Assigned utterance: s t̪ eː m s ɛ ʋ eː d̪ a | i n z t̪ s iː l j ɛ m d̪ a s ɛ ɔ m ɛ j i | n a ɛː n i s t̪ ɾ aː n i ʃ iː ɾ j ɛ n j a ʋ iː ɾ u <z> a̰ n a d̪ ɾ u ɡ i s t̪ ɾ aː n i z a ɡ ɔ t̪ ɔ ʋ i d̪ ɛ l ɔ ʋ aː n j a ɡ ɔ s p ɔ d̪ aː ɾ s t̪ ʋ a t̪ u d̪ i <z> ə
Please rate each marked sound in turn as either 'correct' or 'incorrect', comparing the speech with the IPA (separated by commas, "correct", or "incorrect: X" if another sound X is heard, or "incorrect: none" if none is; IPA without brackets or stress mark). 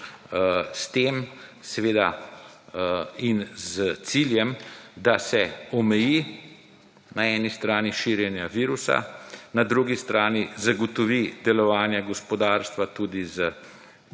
incorrect: s, correct